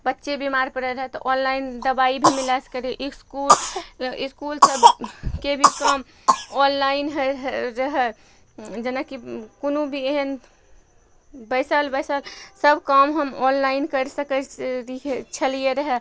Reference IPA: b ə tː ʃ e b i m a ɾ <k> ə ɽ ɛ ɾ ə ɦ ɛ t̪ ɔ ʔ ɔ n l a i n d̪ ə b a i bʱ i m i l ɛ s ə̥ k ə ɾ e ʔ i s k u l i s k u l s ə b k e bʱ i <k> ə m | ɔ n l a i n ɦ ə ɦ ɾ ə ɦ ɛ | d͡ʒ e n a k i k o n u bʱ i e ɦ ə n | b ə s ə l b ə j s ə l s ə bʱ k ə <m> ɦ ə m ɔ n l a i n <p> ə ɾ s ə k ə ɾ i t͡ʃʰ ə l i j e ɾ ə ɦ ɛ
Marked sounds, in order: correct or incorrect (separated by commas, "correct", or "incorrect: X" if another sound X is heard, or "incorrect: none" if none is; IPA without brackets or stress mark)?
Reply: incorrect: p, correct, correct, incorrect: k